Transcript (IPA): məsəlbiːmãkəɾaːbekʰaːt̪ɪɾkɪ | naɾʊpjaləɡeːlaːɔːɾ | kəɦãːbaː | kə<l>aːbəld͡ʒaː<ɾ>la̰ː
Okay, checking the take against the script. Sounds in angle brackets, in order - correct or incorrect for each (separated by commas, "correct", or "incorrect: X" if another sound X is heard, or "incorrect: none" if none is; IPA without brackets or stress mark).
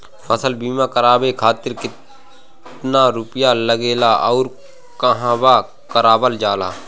incorrect: ɾ, incorrect: none